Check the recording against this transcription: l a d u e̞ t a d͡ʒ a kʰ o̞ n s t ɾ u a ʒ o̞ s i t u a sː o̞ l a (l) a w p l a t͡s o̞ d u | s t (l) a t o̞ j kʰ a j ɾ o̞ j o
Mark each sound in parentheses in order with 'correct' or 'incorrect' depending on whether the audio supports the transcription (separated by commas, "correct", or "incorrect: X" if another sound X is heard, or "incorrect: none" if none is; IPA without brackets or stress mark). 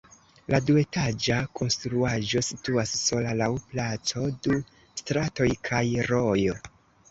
correct, incorrect: ɾ